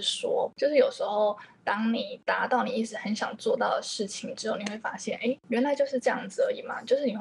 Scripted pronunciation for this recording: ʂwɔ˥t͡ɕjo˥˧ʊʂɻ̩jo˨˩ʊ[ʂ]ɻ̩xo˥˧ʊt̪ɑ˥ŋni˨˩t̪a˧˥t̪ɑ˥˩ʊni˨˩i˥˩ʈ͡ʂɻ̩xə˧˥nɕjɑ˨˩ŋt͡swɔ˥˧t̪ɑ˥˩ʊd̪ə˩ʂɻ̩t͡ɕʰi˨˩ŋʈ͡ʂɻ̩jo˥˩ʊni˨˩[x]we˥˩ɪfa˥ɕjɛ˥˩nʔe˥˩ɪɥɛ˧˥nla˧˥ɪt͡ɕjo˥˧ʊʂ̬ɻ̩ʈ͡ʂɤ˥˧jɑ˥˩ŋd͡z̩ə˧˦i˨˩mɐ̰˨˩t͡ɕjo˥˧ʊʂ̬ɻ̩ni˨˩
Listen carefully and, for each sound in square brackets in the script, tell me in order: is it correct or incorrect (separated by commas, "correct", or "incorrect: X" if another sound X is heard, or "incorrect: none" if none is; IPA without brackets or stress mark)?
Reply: correct, correct